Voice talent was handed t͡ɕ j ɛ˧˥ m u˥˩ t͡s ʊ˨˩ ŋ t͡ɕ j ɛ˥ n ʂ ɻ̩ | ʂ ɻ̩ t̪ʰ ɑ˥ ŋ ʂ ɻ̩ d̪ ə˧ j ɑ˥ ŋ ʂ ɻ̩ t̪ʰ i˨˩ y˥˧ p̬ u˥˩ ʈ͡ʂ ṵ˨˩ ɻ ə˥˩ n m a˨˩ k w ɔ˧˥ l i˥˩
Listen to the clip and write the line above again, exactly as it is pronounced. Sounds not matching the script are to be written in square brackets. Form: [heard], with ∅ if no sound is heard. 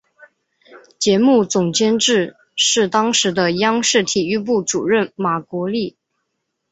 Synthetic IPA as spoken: t͡ɕ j ɛ˧˥ m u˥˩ t͡s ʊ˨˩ ŋ t͡ɕ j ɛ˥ n [ʈ͡ʂ] ɻ̩ | ʂ ɻ̩ [t̪] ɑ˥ ŋ ʂ ɻ̩ d̪ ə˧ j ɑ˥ ŋ ʂ ɻ̩ t̪ʰ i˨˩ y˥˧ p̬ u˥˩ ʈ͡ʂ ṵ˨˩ ɻ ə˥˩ n m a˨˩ k w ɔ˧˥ l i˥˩